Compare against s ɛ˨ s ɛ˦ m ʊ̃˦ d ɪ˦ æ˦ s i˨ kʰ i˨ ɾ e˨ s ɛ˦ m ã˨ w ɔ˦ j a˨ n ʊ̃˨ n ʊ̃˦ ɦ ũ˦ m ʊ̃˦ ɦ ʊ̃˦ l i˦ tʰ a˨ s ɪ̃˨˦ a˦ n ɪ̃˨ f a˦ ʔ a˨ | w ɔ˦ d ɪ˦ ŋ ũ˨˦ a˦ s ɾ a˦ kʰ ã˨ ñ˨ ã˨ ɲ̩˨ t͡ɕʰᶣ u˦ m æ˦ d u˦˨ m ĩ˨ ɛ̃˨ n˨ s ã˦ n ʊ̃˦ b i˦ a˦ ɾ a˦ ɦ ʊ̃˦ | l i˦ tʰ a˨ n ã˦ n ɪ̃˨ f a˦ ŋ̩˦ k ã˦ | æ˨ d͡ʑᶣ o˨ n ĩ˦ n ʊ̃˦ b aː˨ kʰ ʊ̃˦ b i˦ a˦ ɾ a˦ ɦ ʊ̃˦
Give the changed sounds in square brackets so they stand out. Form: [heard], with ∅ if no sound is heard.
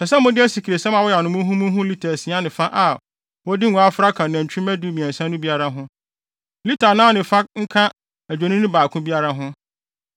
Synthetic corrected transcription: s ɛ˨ s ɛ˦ m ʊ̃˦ d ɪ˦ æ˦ s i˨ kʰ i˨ ɾ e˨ s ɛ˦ m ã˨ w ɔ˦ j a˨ n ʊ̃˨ [m] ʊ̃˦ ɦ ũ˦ m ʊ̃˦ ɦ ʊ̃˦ l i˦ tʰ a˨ s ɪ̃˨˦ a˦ n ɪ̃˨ f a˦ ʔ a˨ | w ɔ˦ d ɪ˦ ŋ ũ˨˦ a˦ [f] ɾ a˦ kʰ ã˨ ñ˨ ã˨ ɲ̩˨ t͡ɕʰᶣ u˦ m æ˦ d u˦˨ m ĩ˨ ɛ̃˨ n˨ s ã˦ n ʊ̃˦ b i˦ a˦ ɾ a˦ ɦ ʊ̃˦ | l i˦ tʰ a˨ n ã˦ n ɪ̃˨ f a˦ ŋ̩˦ [kʰ] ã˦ | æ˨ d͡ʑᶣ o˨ n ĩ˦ n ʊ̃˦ b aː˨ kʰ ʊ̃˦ b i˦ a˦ ɾ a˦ ɦ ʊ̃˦